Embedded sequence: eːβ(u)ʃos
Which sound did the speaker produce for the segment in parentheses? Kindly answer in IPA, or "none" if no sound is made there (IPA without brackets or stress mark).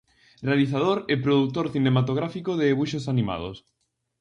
u